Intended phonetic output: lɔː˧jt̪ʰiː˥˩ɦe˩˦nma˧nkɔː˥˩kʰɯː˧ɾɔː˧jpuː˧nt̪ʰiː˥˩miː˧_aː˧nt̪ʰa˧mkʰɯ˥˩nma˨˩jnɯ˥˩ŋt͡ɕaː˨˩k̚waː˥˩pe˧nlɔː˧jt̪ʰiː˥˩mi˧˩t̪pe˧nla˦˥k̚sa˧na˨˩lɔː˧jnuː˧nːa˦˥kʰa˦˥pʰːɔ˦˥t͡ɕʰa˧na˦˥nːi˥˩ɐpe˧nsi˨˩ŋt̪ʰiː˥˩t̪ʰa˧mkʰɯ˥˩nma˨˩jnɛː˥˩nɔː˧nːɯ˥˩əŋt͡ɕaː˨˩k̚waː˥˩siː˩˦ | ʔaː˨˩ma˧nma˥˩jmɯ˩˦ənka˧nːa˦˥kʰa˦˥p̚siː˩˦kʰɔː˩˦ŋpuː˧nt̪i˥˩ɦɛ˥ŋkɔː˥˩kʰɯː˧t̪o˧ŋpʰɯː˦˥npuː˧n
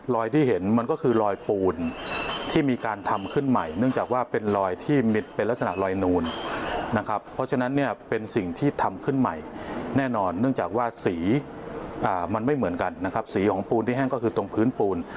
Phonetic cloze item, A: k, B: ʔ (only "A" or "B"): A